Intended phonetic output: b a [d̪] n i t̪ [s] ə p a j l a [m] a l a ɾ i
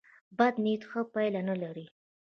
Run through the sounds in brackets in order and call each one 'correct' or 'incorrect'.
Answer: correct, incorrect: x, incorrect: n

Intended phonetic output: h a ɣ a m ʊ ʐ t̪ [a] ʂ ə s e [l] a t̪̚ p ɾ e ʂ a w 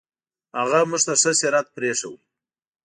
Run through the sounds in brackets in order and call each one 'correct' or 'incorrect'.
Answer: correct, incorrect: ɾ

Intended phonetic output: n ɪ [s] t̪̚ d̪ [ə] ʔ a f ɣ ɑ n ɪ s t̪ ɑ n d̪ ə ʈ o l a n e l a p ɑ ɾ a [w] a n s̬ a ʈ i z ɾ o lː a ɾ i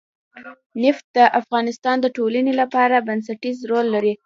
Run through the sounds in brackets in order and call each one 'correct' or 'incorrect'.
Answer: incorrect: f, correct, incorrect: b

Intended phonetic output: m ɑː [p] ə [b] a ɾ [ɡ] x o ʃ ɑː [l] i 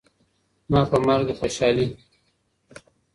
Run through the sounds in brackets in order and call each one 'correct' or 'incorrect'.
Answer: correct, incorrect: m, correct, correct

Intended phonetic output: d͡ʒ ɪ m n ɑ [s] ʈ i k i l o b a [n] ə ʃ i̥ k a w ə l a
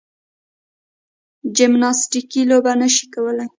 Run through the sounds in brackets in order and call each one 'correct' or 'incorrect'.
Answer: correct, correct

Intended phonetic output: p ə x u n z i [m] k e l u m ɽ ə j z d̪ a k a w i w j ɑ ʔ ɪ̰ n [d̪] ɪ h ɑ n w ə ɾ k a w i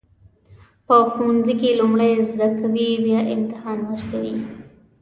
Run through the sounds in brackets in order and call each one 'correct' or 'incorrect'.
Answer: incorrect: none, incorrect: t̪

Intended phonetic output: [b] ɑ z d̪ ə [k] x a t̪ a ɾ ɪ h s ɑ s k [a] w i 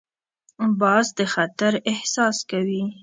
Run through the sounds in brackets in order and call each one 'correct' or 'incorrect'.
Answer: correct, incorrect: none, correct

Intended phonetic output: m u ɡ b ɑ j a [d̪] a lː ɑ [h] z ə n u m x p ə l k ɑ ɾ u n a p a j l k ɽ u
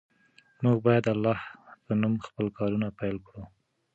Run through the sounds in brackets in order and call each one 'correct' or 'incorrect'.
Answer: correct, correct

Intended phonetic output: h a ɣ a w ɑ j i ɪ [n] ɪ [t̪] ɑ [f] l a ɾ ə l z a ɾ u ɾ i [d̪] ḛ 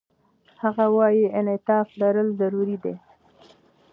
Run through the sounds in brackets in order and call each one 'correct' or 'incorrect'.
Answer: correct, correct, correct, correct

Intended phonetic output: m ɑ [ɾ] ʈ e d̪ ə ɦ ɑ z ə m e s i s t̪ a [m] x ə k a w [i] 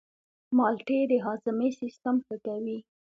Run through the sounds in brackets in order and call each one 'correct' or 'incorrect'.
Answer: incorrect: l, correct, correct

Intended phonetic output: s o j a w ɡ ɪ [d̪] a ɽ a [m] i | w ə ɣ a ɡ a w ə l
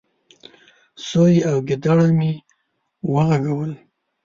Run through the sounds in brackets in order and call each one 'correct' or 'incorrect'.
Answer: correct, correct

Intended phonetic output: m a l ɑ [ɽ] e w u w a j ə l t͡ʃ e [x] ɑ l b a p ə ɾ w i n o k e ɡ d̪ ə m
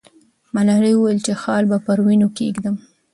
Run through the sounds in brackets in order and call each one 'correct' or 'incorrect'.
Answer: incorrect: ɾ, correct

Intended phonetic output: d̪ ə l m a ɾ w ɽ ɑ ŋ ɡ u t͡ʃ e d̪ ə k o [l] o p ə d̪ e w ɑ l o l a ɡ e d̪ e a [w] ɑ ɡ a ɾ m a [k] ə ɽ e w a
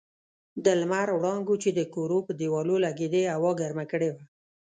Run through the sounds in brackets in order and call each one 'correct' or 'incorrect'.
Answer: incorrect: ɾ, correct, correct

